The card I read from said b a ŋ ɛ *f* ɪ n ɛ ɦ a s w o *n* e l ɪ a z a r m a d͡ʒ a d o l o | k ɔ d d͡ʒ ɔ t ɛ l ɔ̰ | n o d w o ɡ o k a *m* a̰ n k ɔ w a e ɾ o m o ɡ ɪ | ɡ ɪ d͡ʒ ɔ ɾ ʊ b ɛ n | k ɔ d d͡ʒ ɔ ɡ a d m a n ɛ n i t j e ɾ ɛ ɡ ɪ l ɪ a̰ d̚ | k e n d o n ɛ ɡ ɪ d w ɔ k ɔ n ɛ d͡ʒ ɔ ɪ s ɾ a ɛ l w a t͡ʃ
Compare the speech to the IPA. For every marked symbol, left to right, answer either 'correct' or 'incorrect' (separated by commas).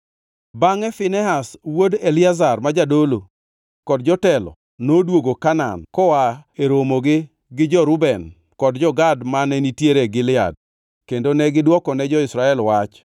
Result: correct, incorrect, incorrect